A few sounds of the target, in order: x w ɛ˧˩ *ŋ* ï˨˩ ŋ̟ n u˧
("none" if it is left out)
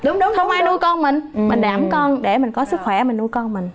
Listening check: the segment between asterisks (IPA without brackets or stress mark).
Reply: m